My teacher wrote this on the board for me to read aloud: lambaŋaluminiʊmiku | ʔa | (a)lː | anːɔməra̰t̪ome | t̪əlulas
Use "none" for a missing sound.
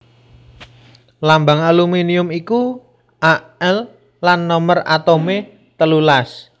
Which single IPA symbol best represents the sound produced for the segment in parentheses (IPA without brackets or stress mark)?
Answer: ɛ